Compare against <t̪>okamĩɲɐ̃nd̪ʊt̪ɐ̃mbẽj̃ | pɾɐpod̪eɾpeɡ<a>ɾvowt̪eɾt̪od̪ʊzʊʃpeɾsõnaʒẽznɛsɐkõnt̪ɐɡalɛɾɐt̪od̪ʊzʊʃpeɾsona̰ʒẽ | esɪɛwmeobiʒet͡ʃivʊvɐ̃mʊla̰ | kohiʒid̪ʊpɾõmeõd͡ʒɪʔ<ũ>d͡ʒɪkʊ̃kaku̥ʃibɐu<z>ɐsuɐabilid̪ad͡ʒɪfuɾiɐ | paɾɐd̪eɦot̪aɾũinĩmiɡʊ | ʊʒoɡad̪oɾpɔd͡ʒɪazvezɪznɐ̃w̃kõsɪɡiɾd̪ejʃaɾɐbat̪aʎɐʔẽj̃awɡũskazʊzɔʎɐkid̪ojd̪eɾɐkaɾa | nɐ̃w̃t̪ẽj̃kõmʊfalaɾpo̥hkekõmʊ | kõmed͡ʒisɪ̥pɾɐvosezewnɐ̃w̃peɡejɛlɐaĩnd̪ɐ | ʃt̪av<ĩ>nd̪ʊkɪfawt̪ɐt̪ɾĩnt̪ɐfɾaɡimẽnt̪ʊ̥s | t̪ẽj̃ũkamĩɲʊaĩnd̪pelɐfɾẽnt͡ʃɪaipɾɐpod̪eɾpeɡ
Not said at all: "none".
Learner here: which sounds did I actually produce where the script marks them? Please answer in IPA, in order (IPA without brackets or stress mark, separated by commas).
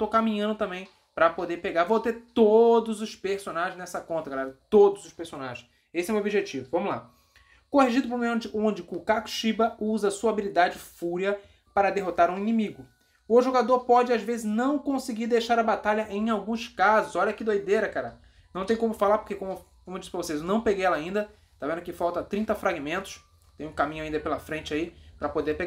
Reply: t̪, a, õ, z, ẽ